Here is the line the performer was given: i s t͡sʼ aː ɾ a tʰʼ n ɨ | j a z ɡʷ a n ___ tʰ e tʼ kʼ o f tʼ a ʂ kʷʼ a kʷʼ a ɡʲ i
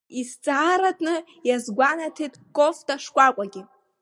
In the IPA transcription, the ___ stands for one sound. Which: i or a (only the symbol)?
a